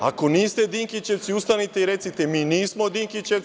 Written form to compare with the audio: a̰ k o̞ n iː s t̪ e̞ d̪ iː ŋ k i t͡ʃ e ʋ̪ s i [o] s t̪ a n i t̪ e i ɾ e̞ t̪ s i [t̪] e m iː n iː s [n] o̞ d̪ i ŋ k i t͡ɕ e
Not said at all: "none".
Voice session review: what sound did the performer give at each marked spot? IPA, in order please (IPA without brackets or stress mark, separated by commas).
u, t̪, m